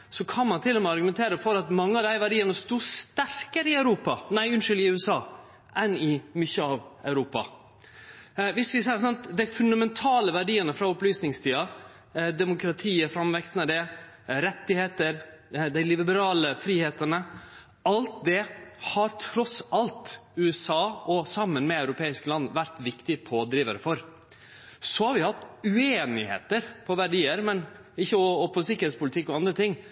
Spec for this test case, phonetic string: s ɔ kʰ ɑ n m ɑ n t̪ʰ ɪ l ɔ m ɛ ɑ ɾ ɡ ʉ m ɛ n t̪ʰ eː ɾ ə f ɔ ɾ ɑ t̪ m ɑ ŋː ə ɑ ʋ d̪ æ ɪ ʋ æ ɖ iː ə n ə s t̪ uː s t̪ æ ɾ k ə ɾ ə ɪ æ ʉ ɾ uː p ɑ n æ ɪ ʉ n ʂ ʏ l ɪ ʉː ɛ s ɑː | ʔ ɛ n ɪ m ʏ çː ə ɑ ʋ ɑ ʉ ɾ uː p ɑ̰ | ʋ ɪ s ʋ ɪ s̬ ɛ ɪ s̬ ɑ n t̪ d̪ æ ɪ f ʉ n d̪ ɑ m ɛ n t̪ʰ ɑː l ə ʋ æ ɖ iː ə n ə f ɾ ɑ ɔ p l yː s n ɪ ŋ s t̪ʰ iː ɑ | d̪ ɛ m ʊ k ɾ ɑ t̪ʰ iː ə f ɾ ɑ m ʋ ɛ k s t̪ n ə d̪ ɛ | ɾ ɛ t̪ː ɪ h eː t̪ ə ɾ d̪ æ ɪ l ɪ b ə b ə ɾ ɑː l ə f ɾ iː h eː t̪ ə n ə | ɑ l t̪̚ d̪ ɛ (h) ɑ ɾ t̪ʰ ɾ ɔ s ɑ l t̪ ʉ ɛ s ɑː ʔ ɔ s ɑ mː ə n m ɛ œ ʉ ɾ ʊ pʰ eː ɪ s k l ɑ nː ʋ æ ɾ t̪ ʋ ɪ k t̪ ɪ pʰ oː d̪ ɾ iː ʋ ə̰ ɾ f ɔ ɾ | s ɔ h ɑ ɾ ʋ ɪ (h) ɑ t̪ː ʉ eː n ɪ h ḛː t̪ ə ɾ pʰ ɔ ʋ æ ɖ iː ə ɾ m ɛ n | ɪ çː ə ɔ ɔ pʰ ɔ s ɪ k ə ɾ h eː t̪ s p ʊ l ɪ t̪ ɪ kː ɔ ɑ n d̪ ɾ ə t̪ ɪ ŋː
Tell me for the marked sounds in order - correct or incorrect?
correct, correct

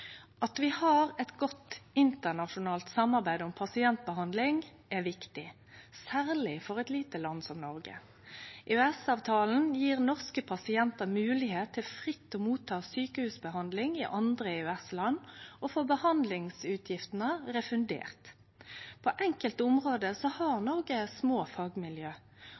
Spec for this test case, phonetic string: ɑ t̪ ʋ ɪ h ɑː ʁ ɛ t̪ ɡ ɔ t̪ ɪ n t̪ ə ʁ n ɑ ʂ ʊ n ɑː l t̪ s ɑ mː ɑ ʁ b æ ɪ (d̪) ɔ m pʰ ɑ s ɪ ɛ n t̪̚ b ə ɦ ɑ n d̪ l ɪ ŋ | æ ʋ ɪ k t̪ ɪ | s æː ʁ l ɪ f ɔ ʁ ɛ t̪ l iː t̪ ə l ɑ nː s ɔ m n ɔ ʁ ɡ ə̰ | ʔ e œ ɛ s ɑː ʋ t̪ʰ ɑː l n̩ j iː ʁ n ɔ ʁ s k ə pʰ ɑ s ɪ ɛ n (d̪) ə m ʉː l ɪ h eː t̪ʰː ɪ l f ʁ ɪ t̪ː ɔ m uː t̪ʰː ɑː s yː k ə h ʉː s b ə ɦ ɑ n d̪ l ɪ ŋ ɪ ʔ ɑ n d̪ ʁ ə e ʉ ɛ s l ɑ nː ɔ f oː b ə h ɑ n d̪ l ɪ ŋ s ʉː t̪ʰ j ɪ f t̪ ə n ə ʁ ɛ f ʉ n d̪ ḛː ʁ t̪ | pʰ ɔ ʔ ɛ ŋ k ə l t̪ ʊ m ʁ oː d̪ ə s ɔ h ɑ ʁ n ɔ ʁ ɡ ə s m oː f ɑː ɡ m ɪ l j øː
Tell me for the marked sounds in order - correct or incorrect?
correct, incorrect: t̪

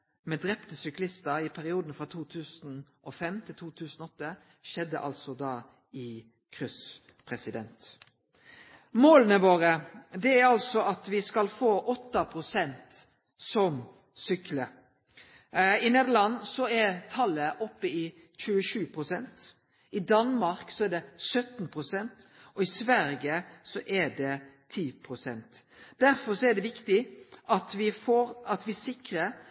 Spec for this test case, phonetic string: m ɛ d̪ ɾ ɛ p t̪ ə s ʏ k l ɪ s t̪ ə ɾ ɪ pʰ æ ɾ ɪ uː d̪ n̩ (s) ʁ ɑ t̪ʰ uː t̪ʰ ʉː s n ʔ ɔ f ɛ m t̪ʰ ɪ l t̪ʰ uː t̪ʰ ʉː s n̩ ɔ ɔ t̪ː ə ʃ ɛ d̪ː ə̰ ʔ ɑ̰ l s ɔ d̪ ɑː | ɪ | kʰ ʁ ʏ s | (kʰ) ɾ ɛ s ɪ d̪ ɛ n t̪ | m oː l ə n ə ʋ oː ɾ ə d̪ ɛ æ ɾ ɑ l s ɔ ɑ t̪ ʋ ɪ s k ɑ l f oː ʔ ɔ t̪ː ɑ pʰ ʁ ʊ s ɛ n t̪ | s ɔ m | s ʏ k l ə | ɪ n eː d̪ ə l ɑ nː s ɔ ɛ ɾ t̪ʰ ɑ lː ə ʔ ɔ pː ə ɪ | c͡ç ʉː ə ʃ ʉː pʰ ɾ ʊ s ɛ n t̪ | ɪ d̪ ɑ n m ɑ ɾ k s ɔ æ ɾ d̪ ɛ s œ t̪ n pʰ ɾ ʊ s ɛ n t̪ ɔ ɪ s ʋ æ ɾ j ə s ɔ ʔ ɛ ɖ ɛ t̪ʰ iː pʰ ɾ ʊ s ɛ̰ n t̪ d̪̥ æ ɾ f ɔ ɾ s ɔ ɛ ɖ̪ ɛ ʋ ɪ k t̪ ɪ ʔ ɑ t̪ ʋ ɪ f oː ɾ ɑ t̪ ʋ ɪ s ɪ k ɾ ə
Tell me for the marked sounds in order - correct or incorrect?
incorrect: f, incorrect: pʰ

